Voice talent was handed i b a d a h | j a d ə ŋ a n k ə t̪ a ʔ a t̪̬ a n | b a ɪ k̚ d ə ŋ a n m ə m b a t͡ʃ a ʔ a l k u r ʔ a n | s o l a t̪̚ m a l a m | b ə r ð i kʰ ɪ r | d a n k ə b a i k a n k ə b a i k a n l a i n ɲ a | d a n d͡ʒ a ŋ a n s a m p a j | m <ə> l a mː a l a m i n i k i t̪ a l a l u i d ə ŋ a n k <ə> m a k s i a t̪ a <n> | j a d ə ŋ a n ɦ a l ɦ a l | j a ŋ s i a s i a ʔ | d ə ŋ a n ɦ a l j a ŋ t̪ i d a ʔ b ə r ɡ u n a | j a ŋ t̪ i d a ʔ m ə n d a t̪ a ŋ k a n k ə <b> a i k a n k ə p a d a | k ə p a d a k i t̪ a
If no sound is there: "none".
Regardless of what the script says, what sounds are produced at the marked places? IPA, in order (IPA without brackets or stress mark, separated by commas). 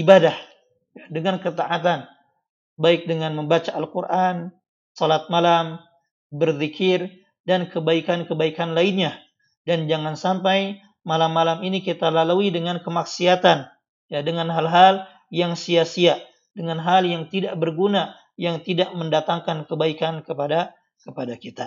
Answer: a, ə, n, b